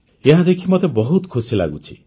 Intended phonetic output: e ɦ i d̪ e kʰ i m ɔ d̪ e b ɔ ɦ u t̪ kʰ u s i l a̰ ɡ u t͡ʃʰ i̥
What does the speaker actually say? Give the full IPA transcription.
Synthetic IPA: e ɦ a d̪ e kʰ i m ɔ t̪ e b ɔ ɦ u t̪ kʰ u s i l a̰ ɡ u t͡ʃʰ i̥